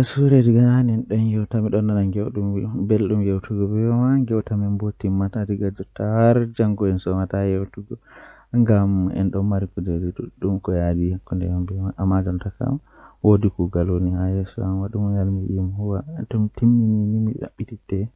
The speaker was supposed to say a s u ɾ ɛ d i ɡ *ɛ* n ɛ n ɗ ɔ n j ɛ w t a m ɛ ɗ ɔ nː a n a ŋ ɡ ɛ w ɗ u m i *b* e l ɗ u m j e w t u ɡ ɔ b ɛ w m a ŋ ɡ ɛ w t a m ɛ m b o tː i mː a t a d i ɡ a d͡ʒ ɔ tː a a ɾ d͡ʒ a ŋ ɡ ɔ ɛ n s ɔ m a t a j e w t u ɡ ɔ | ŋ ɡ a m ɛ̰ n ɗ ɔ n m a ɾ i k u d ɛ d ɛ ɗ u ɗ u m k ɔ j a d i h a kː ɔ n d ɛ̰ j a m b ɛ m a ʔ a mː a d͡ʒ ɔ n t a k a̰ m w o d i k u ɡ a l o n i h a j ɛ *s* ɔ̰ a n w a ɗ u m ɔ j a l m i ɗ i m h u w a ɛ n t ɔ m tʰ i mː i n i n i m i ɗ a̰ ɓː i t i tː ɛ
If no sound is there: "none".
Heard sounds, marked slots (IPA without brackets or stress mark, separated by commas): a, b, s